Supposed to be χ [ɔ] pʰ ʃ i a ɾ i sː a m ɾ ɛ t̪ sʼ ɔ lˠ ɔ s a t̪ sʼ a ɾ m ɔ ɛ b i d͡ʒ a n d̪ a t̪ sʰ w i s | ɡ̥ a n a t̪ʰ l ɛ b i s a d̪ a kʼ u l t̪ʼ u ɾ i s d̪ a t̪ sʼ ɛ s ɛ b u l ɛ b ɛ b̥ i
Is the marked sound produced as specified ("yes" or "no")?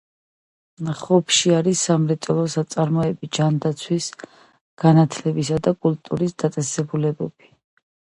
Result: yes